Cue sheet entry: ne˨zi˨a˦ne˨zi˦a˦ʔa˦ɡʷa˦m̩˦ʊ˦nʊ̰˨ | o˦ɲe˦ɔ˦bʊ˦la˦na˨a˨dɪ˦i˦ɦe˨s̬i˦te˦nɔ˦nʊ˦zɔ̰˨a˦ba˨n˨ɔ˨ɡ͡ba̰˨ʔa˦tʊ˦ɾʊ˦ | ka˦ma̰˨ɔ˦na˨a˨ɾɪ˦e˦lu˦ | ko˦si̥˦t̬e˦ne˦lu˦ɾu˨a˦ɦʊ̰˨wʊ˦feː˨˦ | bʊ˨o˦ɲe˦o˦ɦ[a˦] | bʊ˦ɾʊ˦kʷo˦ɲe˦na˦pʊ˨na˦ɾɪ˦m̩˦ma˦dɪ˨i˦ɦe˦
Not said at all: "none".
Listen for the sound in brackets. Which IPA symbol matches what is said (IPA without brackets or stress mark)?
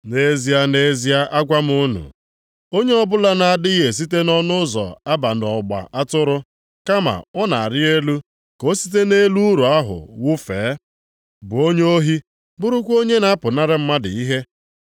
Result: i˦